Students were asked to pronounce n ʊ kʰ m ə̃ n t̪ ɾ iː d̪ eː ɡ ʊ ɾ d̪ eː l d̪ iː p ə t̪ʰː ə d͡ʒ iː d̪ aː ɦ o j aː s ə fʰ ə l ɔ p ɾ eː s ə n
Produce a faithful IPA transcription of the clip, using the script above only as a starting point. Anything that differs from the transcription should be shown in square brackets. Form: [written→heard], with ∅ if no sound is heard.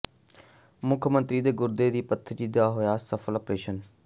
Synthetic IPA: [n→m] ʊ kʰ m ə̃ n t̪ ɾ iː d̪ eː ɡ ʊ ɾ d̪ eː [l→∅] d̪ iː p ə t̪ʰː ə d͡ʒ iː d̪ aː ɦ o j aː s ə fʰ ə l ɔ p ɾ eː [s→ʃ] ə n